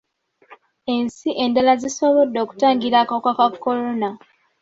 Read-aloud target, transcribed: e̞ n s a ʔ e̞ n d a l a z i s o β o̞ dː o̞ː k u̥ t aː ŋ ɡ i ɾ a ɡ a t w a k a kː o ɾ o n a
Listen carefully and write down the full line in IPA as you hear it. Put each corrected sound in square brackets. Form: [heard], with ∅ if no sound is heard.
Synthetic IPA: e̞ n s [i] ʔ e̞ n d a l a z i s o β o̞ dː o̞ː k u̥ t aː ŋ ɡ i ɾ a [k] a [k] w a k a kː o ɾ o n a